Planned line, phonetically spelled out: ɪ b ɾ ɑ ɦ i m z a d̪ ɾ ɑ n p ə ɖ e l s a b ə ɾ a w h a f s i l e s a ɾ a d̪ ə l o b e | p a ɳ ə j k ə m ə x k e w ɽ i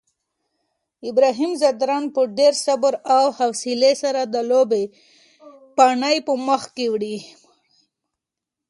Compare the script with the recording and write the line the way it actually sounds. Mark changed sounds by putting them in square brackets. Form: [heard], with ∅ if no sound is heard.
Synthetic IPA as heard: ɪ b ɾ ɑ ɦ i m z a d̪ ɾ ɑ n p ə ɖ e [ɾ] s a b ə ɾ a w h a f s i l e s a ɾ a d̪ ə l o b e | p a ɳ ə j [p] ə m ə x k e w ɽ i